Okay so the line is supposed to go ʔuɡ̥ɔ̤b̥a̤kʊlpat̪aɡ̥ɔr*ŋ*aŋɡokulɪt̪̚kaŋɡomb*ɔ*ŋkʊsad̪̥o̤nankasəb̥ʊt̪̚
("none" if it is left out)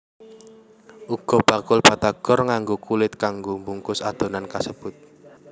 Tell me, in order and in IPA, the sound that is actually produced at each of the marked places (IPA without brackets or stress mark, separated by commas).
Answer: ŋ, u